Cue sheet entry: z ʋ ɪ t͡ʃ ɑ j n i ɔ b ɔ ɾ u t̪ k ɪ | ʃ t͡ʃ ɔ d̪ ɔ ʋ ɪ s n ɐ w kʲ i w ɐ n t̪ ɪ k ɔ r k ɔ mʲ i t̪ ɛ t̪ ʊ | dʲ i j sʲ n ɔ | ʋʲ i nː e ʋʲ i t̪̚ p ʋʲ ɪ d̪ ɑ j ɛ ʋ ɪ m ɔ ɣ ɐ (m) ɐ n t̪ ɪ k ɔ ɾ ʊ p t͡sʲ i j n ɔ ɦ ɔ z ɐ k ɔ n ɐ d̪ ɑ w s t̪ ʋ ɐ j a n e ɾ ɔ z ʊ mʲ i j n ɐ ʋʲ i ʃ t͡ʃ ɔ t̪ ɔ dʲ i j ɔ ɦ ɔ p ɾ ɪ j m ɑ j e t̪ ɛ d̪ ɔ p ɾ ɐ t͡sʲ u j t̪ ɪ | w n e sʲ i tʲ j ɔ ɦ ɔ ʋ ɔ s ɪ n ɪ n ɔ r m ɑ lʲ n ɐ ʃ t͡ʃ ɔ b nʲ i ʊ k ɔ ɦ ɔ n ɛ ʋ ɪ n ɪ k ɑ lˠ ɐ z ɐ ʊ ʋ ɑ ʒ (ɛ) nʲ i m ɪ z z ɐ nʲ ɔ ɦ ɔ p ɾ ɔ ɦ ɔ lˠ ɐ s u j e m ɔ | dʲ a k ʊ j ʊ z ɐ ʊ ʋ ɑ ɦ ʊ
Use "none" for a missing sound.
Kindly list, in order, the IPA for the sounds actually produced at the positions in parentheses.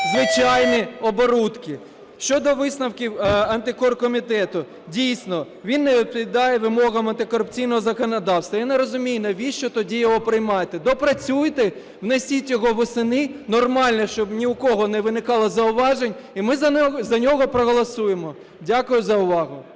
m, e

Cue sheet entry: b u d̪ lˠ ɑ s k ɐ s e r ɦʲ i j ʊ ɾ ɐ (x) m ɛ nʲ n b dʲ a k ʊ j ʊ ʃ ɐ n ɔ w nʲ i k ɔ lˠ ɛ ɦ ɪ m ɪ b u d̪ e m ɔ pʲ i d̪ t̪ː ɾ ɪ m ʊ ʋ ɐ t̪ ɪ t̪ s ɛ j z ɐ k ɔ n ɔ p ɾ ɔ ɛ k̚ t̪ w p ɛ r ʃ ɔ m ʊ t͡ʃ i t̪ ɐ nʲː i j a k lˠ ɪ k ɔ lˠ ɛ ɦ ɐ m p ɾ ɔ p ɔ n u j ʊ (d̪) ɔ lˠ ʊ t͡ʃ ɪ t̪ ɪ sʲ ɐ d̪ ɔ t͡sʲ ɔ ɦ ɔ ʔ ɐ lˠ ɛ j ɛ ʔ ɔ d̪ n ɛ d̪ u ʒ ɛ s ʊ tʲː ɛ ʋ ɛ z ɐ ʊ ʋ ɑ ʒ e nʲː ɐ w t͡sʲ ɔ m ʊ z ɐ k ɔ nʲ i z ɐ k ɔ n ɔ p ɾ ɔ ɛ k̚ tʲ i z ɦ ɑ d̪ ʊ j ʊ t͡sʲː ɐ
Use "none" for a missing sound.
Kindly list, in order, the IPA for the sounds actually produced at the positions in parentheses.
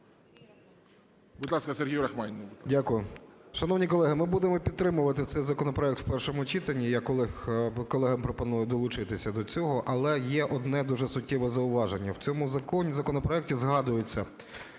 x, d̪

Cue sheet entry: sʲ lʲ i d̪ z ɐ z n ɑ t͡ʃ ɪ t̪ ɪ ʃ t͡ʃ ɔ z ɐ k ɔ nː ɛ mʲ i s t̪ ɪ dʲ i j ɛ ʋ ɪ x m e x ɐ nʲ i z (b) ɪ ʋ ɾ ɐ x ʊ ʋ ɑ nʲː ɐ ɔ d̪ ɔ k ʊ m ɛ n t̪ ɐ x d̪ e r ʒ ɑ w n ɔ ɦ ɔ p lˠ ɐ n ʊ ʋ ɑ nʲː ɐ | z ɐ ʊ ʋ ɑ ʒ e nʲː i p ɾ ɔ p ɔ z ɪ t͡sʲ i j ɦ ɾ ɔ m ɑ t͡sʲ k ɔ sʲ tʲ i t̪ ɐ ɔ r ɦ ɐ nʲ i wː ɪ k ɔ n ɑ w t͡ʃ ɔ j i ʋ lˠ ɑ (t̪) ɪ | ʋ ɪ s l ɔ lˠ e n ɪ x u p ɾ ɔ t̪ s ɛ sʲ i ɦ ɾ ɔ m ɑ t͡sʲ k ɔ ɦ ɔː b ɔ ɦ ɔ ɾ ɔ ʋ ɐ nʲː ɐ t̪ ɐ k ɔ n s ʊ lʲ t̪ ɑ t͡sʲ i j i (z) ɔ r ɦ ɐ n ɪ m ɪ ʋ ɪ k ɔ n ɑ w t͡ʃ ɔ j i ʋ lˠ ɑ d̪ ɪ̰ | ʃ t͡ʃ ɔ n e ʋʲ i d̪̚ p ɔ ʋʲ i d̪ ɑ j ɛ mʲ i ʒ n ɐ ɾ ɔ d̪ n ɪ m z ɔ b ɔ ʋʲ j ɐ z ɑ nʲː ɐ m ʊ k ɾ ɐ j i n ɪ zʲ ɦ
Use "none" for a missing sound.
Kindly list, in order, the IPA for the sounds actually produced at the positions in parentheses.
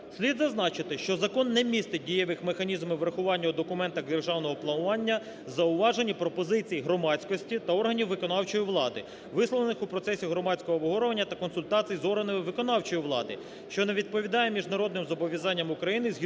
m, d̪, z

